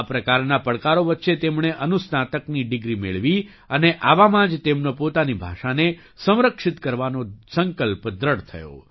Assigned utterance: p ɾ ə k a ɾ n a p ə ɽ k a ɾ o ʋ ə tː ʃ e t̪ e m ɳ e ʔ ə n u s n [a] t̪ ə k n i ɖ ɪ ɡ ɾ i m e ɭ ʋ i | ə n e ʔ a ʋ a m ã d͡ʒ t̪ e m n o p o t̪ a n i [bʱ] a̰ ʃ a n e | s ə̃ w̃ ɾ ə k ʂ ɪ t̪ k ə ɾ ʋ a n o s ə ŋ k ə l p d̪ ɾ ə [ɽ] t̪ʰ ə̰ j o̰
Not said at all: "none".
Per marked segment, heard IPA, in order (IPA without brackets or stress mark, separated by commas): a, bʱ, ɽ